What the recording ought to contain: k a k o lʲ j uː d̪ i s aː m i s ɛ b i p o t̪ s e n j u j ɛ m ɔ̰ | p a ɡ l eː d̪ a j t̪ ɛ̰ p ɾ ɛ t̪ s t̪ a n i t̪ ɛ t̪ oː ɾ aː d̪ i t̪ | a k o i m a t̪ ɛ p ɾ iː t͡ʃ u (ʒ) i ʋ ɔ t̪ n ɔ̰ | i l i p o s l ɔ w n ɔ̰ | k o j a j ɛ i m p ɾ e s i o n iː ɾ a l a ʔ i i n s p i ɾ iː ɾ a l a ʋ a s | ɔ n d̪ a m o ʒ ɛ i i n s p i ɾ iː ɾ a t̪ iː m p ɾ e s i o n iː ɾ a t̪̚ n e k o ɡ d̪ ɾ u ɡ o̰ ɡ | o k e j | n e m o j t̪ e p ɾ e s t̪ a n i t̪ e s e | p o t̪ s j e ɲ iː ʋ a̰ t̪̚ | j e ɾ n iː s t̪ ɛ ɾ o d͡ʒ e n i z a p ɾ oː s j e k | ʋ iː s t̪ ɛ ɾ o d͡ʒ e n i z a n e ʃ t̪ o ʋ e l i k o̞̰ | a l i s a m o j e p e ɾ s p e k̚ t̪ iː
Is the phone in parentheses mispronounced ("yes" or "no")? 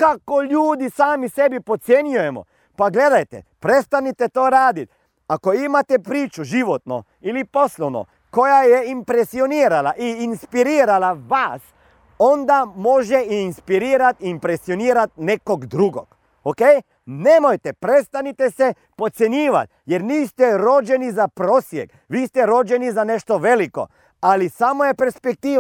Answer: no